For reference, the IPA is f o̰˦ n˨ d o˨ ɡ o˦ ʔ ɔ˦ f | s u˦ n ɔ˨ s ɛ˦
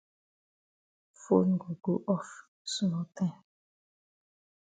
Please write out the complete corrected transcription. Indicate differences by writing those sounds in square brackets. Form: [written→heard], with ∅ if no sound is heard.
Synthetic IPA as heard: f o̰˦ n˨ [d→ɡ] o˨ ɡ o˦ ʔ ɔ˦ f | s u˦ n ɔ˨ [s→t] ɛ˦